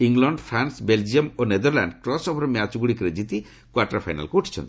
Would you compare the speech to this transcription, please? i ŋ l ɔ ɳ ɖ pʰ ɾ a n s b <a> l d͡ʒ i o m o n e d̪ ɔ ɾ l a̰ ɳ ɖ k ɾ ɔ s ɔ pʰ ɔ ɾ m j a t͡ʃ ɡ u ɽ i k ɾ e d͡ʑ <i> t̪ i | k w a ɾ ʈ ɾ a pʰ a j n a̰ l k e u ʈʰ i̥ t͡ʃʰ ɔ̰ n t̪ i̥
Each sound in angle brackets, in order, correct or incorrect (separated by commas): incorrect, correct